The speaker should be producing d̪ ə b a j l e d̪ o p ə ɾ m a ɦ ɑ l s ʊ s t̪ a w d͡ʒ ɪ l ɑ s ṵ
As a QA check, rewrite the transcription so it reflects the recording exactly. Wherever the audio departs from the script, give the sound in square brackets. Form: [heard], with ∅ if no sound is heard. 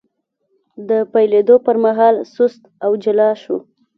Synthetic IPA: d̪ ə [p] a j l e d̪ o p ə ɾ m a ɦ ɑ l s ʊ s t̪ a w d͡ʒ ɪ l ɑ [ʃ] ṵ